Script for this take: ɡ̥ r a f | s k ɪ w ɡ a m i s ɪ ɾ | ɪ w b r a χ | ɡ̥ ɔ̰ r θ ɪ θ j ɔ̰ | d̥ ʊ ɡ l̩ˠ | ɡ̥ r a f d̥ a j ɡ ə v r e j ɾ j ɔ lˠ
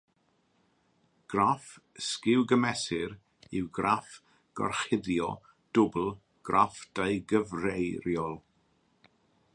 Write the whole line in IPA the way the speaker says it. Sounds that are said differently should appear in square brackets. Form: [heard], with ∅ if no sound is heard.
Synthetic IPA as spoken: ɡ̥ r a f | s k ɪ w ɡ [ə] m [ɛ] s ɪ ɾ | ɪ w [ɡ] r a [f] | ɡ̥ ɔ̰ r [χ] ɪ [ð] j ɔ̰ | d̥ ʊ [b] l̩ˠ | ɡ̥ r a f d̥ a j ɡ ə v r e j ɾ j ɔ lˠ